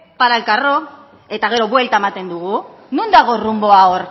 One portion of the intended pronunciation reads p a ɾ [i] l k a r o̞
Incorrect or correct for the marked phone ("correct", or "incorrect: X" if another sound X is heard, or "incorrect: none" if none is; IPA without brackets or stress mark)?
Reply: incorrect: a